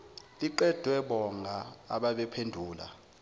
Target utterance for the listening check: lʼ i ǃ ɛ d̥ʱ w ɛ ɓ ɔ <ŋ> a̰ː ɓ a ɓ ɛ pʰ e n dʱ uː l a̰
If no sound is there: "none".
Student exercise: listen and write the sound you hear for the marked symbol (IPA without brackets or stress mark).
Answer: ŋ